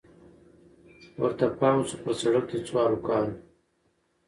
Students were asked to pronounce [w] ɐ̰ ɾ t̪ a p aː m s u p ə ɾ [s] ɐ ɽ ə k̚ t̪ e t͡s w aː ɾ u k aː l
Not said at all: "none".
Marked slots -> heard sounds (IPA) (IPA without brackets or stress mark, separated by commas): w, s